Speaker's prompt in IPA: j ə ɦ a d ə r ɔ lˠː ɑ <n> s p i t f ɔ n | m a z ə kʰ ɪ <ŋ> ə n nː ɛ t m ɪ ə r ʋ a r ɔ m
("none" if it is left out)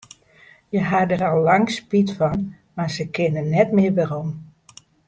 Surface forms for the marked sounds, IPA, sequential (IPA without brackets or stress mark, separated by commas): ŋ, n